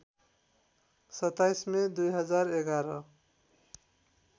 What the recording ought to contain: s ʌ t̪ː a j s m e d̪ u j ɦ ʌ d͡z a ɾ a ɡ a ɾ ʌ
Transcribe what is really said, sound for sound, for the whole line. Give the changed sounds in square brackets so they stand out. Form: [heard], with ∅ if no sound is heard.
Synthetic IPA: s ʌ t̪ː a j s m e d̪ u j ɦ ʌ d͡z a ɾ [e] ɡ a ɾ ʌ